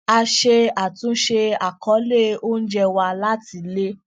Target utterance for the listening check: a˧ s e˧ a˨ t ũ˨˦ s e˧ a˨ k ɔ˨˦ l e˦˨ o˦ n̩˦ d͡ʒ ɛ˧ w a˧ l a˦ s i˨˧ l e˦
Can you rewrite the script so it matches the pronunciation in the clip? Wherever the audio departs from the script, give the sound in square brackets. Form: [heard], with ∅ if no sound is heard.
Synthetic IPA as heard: a˧ [ʃ] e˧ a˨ t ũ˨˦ [ʃ] e˧ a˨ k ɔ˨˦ l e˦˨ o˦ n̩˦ d͡ʒ ɛ˧ w a˧ l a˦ [t] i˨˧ l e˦